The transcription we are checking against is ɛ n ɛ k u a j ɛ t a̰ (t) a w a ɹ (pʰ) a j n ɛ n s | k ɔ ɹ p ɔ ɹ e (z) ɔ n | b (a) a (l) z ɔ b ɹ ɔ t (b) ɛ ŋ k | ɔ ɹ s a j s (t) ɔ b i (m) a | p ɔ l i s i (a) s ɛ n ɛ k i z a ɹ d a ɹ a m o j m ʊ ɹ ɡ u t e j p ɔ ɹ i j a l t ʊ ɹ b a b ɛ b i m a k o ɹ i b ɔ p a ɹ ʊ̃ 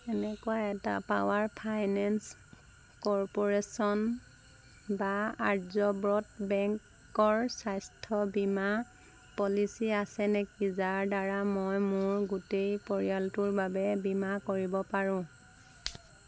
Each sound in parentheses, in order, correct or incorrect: incorrect, correct, incorrect, correct, incorrect, correct, incorrect, correct, correct

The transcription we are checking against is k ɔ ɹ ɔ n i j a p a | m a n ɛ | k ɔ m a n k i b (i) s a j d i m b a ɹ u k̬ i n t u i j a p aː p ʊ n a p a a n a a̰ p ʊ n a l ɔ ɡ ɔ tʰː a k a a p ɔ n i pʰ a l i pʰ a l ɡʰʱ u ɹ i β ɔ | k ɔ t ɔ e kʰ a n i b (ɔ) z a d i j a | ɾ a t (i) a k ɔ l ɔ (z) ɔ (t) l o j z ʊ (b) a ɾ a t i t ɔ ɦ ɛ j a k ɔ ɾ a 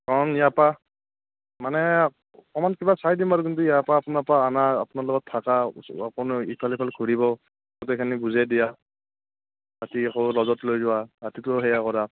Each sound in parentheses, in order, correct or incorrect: incorrect, incorrect, correct, correct, correct, incorrect

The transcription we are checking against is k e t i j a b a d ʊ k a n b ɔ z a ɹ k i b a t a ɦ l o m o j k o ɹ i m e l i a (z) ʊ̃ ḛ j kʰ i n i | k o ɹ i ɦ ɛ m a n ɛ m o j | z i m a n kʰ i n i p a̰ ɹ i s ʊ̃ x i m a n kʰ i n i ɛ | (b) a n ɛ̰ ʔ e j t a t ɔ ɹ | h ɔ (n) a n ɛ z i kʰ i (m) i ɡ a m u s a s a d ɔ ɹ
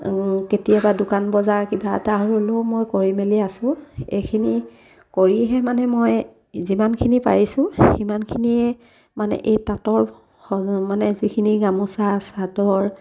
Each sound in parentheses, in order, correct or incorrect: incorrect, incorrect, incorrect, incorrect

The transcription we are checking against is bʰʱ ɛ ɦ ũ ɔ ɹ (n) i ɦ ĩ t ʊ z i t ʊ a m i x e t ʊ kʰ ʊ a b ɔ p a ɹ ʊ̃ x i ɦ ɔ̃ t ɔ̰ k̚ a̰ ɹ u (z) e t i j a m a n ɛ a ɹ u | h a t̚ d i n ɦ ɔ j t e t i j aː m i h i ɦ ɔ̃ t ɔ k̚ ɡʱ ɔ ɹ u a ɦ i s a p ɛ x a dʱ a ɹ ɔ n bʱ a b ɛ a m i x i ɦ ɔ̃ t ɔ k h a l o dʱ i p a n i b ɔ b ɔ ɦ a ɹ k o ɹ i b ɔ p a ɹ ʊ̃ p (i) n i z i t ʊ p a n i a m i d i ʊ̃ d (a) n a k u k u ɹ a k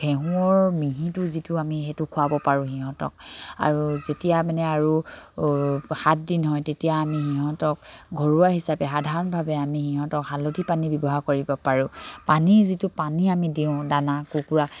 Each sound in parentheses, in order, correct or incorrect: incorrect, correct, incorrect, correct

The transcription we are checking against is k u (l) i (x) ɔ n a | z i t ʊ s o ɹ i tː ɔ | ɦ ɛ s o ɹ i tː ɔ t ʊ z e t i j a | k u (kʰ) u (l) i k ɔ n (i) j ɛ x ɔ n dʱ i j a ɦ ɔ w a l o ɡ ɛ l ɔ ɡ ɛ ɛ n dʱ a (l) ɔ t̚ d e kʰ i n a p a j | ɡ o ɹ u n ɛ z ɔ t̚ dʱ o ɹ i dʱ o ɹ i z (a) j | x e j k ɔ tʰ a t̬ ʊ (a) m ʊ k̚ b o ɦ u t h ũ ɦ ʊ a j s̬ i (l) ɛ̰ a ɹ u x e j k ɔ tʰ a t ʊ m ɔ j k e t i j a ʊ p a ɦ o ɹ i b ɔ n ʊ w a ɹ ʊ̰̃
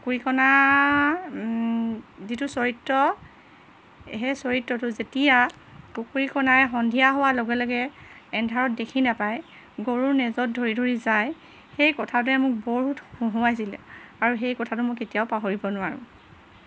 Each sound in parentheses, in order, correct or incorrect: incorrect, incorrect, incorrect, incorrect, incorrect, incorrect, correct, incorrect, correct

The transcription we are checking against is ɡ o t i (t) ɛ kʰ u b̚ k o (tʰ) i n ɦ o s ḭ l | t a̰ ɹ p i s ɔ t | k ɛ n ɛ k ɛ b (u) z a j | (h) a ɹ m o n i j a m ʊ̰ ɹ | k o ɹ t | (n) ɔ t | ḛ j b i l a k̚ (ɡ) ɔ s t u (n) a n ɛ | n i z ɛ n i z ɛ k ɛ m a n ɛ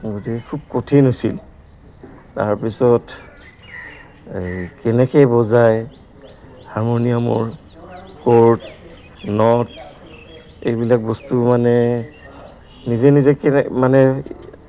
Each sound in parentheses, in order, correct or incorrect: incorrect, correct, incorrect, correct, correct, incorrect, incorrect

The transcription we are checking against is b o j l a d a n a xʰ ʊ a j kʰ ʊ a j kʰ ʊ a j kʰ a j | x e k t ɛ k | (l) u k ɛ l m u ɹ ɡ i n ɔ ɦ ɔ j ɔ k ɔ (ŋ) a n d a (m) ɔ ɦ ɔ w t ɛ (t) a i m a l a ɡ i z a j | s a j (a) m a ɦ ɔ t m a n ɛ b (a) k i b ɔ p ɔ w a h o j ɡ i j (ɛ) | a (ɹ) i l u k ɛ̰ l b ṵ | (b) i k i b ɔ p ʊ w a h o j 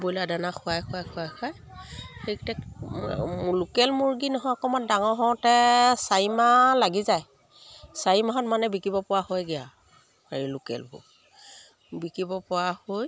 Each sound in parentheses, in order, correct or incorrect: correct, incorrect, incorrect, incorrect, incorrect, incorrect, incorrect, correct, correct

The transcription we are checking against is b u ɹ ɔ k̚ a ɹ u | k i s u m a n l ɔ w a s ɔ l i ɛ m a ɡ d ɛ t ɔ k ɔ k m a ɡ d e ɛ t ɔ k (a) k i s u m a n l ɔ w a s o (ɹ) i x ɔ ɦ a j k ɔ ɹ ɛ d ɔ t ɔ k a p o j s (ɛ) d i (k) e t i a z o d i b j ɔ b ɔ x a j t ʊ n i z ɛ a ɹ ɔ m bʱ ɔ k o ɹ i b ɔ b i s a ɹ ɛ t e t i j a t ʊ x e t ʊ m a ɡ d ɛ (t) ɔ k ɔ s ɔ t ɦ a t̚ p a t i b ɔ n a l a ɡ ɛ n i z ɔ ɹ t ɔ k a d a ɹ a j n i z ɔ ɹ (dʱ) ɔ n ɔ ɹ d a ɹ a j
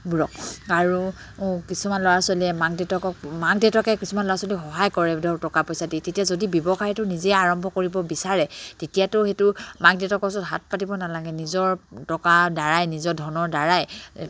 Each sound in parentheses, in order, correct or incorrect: incorrect, incorrect, incorrect, incorrect, correct, correct

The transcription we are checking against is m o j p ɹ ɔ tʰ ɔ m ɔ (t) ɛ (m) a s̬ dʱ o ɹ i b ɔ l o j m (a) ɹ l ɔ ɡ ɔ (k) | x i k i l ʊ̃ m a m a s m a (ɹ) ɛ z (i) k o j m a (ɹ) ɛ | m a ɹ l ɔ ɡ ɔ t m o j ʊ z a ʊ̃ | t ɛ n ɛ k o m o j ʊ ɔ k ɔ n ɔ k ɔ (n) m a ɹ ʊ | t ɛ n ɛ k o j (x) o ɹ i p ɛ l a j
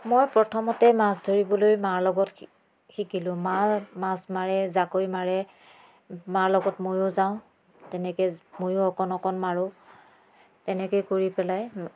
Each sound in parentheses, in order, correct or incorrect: correct, correct, correct, incorrect, correct, incorrect, correct, correct, incorrect

